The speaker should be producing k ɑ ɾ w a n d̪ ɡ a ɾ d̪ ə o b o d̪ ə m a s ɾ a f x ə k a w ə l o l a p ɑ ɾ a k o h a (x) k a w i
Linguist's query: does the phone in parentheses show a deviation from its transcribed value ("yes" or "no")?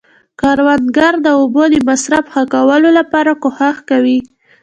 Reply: no